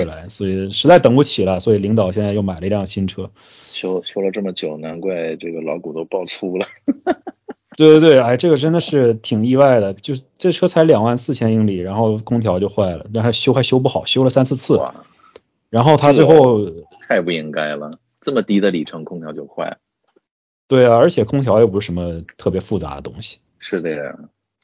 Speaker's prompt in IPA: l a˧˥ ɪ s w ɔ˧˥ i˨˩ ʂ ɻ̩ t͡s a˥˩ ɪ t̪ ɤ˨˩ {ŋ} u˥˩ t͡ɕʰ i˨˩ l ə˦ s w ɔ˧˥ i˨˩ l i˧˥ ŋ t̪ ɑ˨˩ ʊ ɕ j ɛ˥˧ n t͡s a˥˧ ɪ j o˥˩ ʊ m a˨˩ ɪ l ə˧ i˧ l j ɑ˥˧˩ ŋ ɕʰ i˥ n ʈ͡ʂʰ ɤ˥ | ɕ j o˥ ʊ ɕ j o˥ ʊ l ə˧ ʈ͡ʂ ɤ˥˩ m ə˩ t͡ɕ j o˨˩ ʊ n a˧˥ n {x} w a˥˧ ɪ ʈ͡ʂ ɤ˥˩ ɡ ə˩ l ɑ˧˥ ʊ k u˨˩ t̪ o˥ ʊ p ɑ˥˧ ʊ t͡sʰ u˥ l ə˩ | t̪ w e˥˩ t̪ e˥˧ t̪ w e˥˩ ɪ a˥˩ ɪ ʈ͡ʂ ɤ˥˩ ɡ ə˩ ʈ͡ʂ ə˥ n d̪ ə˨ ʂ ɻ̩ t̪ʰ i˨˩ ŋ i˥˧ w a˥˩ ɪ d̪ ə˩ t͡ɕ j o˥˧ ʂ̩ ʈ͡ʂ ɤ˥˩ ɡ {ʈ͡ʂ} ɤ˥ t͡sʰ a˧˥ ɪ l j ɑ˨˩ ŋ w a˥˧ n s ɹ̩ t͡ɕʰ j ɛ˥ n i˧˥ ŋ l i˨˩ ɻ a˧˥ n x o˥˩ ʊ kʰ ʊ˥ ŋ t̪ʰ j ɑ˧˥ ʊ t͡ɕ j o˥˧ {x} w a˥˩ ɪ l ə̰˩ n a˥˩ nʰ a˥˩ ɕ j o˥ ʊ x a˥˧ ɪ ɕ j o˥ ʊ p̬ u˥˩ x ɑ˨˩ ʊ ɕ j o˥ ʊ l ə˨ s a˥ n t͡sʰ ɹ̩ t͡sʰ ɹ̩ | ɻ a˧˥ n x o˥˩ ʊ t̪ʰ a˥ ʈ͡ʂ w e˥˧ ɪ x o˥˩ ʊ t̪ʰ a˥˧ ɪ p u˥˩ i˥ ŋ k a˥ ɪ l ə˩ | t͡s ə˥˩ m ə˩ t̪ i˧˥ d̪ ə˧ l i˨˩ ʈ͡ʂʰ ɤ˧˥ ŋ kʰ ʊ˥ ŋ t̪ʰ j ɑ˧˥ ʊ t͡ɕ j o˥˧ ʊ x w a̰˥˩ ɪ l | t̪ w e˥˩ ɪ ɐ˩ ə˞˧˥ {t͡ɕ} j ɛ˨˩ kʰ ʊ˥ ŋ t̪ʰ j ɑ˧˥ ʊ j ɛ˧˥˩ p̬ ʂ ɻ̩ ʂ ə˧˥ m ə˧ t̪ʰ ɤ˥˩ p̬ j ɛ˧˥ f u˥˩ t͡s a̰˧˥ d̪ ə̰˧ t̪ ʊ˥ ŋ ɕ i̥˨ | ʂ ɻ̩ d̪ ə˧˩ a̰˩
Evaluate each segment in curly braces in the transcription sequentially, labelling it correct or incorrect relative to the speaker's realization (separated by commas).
correct, incorrect, incorrect, correct, incorrect